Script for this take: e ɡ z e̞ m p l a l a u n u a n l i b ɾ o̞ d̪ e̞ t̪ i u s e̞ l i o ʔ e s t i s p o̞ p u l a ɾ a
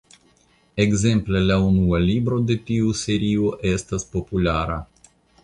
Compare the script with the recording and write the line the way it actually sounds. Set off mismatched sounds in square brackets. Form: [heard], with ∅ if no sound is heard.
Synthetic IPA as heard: e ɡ z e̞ m p l [e] l a u n u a [∅] l i b ɾ o̞ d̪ e̞ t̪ i u s e̞ [ɾ] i o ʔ e s t [a] s p o̞ p u l a ɾ a